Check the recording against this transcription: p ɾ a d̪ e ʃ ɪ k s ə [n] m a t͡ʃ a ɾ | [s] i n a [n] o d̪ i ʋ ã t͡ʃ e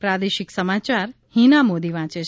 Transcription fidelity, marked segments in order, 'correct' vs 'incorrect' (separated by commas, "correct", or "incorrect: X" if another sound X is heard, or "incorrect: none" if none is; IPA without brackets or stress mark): incorrect: none, incorrect: h, incorrect: m